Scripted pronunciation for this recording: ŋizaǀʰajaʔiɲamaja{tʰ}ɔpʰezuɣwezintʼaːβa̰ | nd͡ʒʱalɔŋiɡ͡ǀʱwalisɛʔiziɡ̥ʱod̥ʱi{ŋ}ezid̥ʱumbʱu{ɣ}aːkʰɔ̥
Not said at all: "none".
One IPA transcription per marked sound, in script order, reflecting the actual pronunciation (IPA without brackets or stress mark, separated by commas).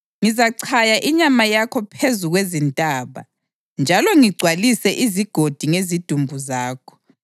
kʰ, ŋ, z